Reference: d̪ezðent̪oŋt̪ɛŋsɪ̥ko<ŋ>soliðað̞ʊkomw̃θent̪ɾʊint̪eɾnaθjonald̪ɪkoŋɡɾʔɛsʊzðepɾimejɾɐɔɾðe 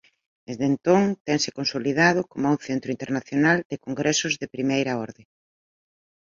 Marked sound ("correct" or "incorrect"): incorrect